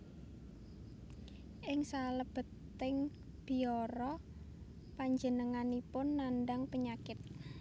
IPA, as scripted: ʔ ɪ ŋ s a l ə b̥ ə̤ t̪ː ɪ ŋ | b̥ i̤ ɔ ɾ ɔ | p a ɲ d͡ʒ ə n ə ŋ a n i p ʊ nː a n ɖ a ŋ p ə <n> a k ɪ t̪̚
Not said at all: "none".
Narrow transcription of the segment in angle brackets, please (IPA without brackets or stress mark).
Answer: ɲ